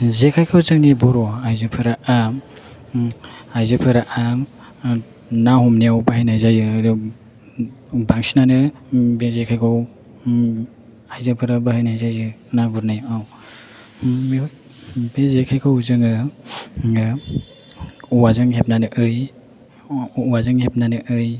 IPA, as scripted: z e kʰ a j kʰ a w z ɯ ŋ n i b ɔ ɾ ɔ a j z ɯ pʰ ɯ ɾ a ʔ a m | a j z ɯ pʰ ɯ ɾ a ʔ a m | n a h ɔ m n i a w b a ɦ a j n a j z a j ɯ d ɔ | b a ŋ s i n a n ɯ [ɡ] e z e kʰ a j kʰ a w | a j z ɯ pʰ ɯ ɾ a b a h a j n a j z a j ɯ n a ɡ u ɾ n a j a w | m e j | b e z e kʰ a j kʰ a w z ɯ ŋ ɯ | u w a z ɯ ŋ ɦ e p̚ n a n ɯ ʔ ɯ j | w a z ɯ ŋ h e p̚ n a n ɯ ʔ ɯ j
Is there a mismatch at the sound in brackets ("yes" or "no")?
yes